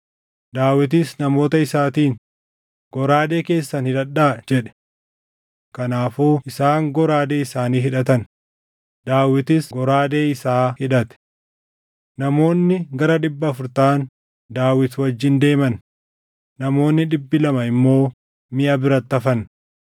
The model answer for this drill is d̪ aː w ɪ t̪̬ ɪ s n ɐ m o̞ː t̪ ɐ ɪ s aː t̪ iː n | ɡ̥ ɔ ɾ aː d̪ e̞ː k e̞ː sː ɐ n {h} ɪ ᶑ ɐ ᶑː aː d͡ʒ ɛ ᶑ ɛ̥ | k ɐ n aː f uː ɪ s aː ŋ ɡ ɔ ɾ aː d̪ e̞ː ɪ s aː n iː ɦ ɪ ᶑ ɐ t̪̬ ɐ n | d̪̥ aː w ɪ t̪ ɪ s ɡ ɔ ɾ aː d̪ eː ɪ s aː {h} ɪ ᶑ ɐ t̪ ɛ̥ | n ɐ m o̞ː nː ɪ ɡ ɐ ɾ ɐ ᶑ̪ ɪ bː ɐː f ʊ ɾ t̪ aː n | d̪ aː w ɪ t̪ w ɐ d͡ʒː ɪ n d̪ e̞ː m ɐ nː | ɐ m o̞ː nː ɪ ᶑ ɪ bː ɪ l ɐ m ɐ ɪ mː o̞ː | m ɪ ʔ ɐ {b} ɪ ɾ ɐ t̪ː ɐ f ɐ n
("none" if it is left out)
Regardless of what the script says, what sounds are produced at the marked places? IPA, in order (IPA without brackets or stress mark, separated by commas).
h, h, b